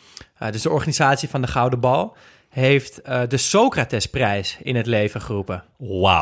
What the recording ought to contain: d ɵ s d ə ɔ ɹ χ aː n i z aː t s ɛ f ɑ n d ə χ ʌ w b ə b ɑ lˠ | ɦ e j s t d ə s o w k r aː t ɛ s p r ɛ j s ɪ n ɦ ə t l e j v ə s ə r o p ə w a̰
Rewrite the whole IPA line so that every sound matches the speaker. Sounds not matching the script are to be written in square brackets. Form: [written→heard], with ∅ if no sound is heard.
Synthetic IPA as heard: d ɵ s d ə ɔ ɹ χ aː n i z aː t s [ɛ→i] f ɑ n d ə χ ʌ w [b→d] ə b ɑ lˠ | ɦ e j [s→f] t d ə s o w k r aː t ɛ s p r ɛ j s ɪ n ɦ ə t l e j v ə [s→χ] ə r [o→u] p ə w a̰